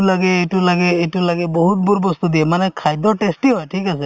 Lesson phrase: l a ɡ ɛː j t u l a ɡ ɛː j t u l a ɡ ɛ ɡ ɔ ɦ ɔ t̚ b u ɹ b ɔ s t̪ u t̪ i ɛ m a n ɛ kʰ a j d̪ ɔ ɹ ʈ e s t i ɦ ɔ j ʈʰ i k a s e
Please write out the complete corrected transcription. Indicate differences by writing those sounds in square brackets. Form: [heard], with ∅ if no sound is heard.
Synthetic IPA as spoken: l a ɡ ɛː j t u l a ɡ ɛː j t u l a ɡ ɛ [b] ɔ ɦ [u] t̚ b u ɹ b ɔ s t̪ u [d̪] i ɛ m a n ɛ kʰ a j d̪ ɔ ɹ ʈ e s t i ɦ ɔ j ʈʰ i k a s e